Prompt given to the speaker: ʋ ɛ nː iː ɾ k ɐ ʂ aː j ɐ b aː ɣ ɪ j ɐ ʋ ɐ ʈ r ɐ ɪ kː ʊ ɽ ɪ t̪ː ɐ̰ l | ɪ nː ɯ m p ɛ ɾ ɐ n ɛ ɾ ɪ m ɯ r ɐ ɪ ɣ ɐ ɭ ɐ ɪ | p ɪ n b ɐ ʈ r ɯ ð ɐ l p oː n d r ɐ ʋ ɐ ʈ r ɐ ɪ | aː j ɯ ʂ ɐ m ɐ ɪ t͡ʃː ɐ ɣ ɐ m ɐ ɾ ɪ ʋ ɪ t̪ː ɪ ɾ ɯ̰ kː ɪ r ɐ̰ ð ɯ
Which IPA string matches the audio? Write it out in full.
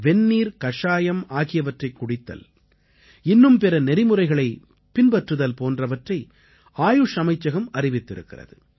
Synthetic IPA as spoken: ʋ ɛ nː iː ɾ k ɐ ʂ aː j ɐ m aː ɣ ɪ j ɐ ʋ ɐ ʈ r ɐ ɪ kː ʊ ɽ ɪ t̪ː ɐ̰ l | ɪ nː ɯ m p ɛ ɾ ɐ n ɛ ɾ ɪ m ɯ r ɐ ɪ ɣ ɐ ɭ ɐ ɪ | p ɪ n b ɐ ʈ r ɯ ð ɐ l p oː n d r ɐ ʋ ɐ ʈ r ɐ ɪ | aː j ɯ ʂ ɐ m ɐ ɪ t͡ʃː ɐ ɣ ɐ m ɐ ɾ ɪ ʋ ɪ t̪ː ɪ ɾ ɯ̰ kː ɪ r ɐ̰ ð ɯ